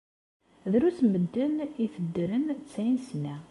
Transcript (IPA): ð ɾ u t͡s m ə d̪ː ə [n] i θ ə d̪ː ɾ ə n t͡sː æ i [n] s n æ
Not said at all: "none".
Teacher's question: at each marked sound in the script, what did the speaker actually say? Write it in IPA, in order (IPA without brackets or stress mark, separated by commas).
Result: n, n